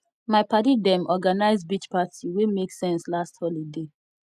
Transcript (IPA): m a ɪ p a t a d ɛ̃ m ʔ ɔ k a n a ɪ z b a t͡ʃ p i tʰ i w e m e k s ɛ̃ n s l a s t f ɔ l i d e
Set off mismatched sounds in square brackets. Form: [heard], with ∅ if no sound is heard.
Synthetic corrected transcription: m a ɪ p a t [i] d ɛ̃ m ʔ ɔ [ɡ] a n a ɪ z b [i] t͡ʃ p [a] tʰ i w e m e k s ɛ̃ n s l a s t [h] ɔ l i d e